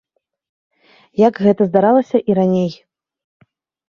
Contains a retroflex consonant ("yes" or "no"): no